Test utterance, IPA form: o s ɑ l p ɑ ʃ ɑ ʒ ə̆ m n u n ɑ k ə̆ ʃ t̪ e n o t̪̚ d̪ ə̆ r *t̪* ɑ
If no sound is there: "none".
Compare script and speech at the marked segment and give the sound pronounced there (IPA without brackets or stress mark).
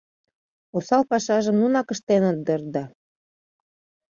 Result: d̪